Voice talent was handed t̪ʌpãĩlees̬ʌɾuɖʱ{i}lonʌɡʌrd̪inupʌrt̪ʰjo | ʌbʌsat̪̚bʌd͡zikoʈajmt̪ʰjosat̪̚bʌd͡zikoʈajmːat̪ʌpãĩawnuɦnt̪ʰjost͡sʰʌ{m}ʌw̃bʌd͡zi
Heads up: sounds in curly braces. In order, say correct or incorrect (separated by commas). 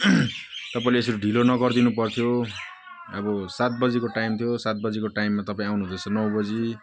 correct, incorrect